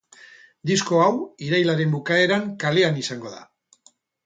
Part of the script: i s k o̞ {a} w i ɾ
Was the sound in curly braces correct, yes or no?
yes